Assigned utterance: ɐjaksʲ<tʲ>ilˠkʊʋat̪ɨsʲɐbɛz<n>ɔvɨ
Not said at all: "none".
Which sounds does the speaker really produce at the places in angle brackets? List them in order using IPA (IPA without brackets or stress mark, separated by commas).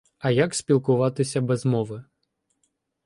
pʲ, m